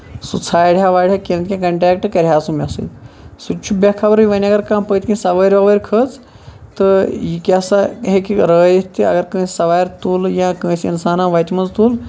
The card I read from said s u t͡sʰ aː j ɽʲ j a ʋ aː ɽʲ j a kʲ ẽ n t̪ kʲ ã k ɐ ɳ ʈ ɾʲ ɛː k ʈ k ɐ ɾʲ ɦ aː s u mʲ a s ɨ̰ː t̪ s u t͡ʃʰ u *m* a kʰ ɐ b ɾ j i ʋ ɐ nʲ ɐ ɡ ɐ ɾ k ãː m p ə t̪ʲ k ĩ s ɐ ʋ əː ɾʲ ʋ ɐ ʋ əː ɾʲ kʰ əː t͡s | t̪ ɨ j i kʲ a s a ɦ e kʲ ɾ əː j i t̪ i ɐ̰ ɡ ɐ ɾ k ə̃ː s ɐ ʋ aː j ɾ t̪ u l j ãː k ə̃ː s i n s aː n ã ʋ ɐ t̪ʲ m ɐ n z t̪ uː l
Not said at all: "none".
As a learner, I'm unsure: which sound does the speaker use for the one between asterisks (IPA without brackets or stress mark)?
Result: b